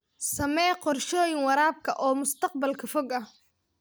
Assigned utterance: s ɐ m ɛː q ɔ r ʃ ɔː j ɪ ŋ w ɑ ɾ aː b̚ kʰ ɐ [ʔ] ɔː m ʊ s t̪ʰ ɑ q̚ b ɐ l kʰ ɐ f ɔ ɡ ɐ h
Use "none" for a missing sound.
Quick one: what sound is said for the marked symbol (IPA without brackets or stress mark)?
ʔ